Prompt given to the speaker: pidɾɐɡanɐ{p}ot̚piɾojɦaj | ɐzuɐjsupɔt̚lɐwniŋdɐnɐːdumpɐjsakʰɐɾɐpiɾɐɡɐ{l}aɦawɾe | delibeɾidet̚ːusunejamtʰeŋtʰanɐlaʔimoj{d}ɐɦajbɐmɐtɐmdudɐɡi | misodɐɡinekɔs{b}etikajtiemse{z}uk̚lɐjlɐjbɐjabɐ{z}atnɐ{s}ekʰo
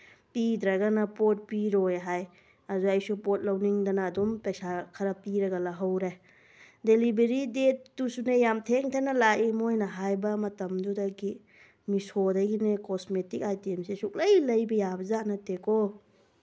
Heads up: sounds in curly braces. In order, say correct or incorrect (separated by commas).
correct, correct, incorrect, incorrect, incorrect, correct, incorrect